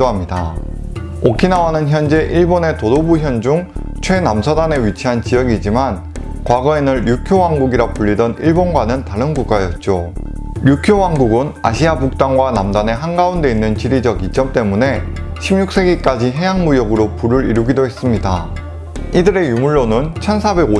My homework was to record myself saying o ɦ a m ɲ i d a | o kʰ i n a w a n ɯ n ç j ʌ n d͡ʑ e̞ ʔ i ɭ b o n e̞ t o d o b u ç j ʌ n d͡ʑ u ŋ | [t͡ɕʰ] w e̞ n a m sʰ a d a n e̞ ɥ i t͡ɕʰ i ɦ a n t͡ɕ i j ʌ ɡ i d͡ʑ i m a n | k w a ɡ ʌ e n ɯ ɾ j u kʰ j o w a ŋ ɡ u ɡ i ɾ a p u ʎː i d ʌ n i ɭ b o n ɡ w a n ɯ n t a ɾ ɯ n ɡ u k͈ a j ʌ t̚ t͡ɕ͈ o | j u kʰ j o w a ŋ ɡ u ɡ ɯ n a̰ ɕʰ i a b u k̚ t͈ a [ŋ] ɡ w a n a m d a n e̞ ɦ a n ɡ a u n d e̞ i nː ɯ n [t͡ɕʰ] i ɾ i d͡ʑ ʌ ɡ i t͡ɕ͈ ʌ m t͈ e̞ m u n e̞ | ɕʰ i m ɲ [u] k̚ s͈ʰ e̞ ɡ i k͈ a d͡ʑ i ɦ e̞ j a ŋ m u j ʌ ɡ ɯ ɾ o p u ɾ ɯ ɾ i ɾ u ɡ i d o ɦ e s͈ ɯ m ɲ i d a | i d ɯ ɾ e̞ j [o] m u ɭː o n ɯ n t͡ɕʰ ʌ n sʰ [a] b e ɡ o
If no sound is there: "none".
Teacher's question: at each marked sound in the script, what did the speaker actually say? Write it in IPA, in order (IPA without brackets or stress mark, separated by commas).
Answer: t͡ɕʰ, ŋ, t͡ɕ, u, u, a